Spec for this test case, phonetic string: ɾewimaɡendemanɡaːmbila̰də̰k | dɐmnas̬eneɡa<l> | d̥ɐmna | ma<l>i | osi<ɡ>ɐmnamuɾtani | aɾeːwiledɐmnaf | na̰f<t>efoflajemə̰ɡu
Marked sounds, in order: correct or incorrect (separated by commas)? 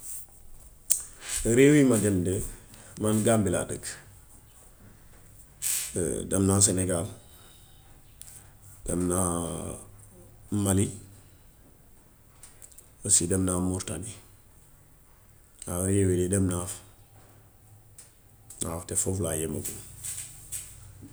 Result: correct, correct, incorrect, correct